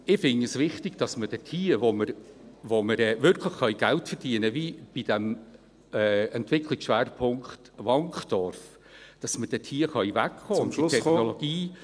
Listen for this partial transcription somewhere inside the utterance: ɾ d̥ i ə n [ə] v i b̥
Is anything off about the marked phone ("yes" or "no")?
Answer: no